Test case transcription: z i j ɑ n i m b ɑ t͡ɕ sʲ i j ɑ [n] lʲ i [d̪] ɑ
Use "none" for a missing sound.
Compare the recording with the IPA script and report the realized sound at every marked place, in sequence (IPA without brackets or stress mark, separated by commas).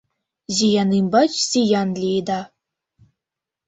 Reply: n, d̪